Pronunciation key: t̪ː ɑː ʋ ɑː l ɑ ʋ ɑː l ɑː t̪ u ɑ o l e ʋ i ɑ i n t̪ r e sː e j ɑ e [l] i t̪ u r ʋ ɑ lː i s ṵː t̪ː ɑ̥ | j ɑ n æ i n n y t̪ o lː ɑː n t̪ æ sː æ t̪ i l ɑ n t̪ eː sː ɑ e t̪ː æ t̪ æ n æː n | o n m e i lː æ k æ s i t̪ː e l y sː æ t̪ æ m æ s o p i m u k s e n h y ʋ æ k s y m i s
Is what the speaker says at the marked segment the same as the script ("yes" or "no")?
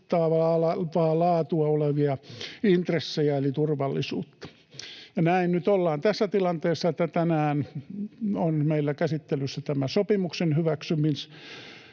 yes